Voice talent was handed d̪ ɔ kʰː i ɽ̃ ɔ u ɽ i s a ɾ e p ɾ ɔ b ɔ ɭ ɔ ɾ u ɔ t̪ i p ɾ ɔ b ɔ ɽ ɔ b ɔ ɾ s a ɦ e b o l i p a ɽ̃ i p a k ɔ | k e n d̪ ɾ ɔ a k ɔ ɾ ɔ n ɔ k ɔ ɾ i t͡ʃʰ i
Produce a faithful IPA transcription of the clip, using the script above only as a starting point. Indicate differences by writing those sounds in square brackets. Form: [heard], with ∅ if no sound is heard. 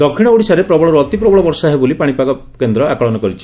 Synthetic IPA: d̪ ɔ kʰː i ɽ̃ ɔ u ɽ i s a ɾ e p ɾ ɔ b ɔ ɭ ɔ ɾ u ɔ t̪ i p ɾ ɔ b ɔ [ɭ] ɔ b ɔ ɾ s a ɦ e b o l i p a ɽ̃ i p a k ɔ | k e n d̪ ɾ ɔ a k ɔ [ɭ] ɔ n ɔ k ɔ ɾ i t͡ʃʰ i